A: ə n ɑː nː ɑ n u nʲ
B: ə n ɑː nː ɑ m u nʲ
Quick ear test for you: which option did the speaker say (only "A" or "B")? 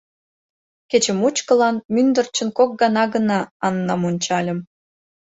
B